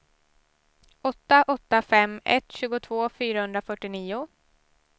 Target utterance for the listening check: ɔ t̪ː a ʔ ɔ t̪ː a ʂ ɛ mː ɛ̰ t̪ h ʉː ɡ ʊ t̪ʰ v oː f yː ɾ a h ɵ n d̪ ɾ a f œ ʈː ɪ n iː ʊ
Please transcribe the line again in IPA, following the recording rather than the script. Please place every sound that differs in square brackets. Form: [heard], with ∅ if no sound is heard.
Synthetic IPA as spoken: ɔ t̪ː a ʔ ɔ t̪ː a [f] ɛ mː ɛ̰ t̪ [ɕ] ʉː ɡ ʊ t̪ʰ v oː f yː ɾ a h ɵ n d̪ ɾ a f œ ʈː ɪ n iː ʊ